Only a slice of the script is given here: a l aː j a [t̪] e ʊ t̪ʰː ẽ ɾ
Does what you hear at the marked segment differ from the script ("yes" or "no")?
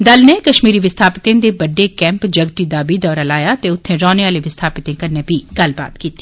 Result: no